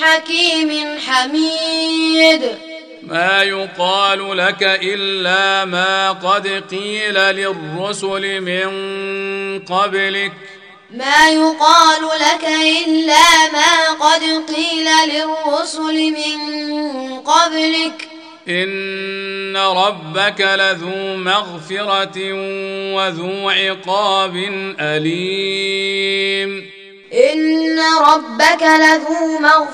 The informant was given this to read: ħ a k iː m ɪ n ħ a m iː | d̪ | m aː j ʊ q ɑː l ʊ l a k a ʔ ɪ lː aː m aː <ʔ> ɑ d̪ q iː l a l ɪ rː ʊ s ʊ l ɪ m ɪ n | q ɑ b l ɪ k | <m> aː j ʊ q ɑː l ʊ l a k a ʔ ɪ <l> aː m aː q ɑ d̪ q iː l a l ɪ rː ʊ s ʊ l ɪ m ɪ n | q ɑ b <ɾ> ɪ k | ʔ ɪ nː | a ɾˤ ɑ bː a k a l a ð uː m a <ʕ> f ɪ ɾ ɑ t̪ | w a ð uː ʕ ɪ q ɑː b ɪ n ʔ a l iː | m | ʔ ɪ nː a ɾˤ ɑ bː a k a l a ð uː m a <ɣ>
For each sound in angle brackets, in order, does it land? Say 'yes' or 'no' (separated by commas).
no, yes, no, no, no, yes